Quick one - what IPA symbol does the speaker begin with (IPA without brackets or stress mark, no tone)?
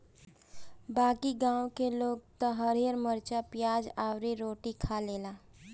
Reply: b